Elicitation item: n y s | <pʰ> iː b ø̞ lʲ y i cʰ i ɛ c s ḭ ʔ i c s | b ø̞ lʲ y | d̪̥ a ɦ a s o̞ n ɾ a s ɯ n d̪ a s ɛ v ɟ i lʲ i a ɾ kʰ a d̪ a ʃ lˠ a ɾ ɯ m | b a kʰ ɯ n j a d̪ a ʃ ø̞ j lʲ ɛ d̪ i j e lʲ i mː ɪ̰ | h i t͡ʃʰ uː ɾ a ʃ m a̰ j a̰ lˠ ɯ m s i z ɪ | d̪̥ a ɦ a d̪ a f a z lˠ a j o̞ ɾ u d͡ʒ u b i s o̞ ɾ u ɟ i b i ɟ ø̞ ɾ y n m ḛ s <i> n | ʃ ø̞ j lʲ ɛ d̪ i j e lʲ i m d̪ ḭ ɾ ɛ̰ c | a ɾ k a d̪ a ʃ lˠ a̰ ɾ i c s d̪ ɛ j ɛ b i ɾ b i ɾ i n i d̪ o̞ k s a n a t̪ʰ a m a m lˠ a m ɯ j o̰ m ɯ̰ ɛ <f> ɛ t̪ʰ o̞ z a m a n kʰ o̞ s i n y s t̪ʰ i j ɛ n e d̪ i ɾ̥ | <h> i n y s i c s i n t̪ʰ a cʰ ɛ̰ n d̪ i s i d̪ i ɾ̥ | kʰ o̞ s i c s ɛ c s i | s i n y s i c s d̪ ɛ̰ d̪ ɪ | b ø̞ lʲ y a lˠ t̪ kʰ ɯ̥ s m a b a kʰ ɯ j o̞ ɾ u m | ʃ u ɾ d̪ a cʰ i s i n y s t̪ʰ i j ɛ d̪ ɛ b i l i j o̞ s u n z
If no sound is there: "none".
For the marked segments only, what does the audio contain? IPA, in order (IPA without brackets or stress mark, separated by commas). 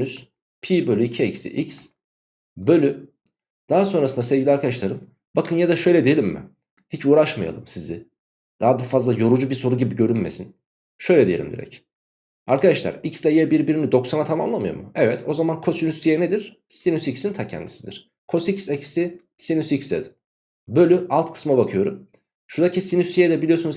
pʰ, i, v, s